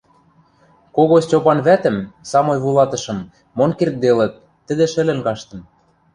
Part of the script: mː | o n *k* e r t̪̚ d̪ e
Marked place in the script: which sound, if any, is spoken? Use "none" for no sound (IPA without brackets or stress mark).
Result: k